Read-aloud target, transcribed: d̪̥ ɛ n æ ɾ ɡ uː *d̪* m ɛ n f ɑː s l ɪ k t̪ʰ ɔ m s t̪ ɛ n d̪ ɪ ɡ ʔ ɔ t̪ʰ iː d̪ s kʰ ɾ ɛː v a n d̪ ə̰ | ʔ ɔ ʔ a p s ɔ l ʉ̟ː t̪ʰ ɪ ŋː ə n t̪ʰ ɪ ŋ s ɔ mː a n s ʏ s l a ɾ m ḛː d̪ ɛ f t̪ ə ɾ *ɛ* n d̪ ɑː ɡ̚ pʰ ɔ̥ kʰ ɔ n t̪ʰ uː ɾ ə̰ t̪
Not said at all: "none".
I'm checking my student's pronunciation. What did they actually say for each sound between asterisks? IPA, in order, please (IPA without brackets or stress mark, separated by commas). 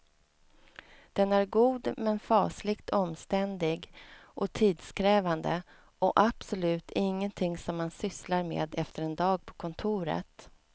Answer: d̪, ɛ